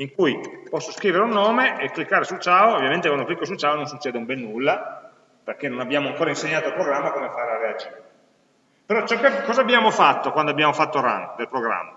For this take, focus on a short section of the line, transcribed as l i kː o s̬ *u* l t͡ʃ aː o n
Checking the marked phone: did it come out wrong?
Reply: no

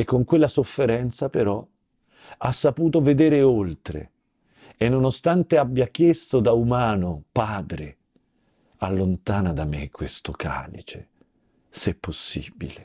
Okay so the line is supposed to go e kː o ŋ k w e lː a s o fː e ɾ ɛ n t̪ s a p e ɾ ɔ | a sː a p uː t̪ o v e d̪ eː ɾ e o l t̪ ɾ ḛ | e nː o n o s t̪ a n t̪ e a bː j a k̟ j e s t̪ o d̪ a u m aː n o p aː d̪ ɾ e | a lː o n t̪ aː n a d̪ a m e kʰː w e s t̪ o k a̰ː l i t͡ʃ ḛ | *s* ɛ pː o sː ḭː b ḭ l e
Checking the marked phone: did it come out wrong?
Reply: no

